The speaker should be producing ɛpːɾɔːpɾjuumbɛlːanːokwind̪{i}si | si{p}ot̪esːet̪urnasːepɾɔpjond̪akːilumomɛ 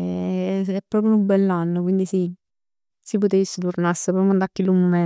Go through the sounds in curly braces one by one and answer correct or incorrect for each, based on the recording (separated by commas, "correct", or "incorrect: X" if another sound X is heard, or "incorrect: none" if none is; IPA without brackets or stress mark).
correct, correct